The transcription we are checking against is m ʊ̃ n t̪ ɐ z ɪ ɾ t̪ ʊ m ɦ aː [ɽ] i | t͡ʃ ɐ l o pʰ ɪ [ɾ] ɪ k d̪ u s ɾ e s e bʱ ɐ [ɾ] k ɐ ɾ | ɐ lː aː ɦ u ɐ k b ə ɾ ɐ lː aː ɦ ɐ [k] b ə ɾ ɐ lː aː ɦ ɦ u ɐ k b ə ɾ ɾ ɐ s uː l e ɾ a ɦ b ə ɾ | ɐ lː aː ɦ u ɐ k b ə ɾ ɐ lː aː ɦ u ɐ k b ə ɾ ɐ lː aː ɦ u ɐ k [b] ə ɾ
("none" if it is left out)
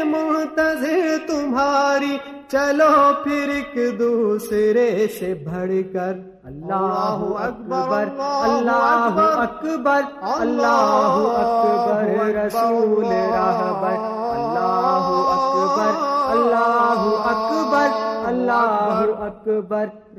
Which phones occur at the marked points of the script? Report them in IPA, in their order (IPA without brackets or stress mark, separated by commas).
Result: ɾ, ɾ, ɽ, k, b